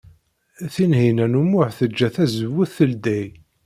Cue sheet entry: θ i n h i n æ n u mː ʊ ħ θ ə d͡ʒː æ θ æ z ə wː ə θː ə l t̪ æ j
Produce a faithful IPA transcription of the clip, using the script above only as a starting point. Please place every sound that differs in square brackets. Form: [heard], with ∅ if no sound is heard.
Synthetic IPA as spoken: θ i n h i n æ n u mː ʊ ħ θ ə d͡ʒː æ θ æ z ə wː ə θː ə l [d̪] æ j